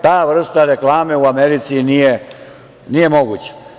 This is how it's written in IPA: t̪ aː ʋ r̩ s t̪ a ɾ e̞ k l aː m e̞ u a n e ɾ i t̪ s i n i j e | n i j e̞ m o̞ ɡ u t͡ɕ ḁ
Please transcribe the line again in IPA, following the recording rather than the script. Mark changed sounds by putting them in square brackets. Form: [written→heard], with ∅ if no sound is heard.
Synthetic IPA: t̪ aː ʋ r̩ s t̪ a ɾ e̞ k l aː m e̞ u a [n→m] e ɾ i t̪ s i n i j e | n i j e̞ m o̞ ɡ u t͡ɕ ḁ